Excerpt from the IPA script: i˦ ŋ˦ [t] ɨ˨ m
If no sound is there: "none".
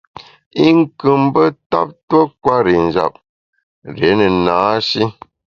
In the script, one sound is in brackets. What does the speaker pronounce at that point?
k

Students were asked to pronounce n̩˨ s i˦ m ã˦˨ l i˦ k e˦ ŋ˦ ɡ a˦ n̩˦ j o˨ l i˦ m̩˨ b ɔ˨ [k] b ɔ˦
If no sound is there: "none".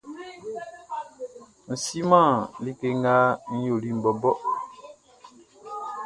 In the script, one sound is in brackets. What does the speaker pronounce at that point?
none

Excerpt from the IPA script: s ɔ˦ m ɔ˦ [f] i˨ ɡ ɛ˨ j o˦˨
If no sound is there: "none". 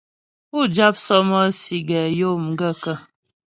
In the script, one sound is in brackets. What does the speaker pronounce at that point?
s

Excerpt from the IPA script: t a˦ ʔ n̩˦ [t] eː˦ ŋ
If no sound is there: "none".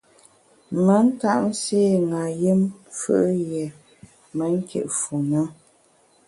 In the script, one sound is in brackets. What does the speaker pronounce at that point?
s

